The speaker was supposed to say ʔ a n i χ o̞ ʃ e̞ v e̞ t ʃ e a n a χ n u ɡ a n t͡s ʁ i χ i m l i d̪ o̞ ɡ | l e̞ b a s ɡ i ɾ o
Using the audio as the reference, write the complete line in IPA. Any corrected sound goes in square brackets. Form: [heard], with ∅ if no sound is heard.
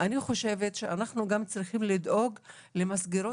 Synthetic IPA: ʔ a n i χ o̞ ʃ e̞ v e̞ t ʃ e a n a χ n u ɡ a [m] t͡s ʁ i χ i m l i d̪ o̞ ɡ | l e̞ [m] a s ɡ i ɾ o